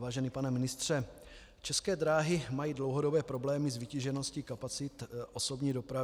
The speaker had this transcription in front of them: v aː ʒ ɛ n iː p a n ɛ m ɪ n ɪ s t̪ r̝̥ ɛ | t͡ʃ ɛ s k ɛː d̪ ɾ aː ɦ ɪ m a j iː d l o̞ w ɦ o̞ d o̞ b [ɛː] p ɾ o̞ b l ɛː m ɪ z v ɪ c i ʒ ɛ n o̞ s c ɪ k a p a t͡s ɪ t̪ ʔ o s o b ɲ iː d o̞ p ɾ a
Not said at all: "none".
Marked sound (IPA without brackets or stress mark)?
ɛː